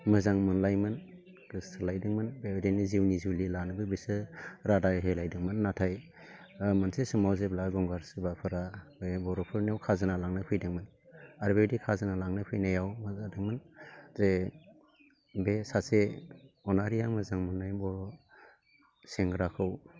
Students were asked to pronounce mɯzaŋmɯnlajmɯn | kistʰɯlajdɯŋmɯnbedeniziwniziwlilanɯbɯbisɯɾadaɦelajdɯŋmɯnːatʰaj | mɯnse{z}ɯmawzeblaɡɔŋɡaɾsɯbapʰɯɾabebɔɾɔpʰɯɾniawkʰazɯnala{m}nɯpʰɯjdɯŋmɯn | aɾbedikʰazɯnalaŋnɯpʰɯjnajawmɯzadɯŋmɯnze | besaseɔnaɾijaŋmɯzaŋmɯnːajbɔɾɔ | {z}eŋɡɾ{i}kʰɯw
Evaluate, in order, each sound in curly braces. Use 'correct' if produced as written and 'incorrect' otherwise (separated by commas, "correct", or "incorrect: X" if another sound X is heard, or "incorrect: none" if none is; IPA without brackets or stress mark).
incorrect: s, incorrect: ŋ, incorrect: s, incorrect: a